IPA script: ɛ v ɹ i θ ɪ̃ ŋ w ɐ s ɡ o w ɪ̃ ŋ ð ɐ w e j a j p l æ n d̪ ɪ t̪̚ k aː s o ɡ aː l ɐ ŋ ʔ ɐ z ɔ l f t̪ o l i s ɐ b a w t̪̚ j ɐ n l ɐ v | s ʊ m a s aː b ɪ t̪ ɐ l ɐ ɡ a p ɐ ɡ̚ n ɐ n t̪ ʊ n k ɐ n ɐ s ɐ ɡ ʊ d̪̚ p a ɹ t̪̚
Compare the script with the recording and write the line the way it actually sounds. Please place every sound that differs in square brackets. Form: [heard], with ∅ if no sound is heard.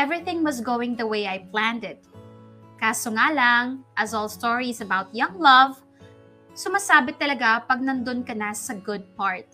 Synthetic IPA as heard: ɛ v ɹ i θ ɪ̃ ŋ w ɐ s ɡ o w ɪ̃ ŋ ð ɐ w e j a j p l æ n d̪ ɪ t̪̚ k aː s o [ŋ] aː l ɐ ŋ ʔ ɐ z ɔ l [s] t̪ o [ɹ] i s ɐ b a w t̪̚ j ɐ [ŋ] l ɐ v | s ʊ m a s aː b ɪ t̪ ɐ l ɐ ɡ a p ɐ ɡ̚ n ɐ n [d̪] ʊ n k ɐ n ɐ s ɐ ɡ ʊ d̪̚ p a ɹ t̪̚